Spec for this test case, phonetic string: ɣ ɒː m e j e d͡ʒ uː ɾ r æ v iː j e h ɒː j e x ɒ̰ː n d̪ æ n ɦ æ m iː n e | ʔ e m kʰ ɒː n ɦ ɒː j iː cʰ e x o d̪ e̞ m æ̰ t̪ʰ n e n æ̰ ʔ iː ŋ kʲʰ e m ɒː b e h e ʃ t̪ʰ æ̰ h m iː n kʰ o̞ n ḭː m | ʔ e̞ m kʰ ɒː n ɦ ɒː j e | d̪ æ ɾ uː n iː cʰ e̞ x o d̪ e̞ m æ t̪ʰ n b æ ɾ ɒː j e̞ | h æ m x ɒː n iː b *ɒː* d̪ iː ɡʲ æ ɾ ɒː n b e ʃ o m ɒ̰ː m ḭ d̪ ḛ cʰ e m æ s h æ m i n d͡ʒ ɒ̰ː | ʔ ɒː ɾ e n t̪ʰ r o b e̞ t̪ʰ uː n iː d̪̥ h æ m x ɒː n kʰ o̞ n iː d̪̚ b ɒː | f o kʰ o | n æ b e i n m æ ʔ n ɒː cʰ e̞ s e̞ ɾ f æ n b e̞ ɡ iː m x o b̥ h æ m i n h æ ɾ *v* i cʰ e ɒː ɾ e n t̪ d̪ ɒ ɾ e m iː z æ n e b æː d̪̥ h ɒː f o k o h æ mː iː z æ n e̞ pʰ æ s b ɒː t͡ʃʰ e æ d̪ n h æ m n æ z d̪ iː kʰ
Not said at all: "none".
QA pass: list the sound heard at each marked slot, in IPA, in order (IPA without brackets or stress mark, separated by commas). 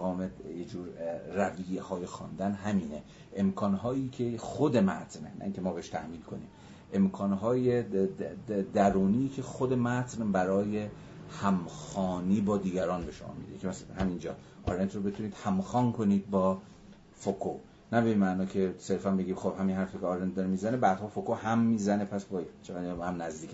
ɒː, f